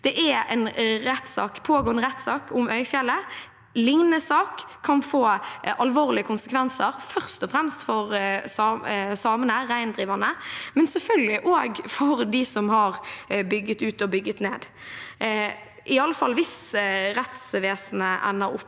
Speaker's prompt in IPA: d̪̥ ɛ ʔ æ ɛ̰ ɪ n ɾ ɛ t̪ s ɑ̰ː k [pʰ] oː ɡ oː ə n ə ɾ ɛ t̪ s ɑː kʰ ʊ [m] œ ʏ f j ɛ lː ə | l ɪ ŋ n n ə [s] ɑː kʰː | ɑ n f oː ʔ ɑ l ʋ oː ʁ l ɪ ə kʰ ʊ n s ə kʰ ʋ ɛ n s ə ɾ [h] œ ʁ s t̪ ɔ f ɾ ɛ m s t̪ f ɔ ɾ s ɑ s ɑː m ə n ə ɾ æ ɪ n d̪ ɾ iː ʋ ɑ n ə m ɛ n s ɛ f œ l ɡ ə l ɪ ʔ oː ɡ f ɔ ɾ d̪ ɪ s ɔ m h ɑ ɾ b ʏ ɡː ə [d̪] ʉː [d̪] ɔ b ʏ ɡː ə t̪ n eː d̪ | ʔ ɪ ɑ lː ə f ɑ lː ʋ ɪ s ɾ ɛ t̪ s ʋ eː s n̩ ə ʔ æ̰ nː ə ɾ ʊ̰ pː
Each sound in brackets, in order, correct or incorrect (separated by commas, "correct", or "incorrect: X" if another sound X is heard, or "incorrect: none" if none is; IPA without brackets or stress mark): correct, correct, correct, incorrect: f, incorrect: t̪, incorrect: t̪